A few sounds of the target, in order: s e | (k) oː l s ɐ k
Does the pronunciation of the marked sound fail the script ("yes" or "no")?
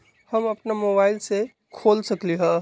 yes